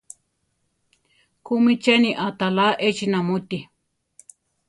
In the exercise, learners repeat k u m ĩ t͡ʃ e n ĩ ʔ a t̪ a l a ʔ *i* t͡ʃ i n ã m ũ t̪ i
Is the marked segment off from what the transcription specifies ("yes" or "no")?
yes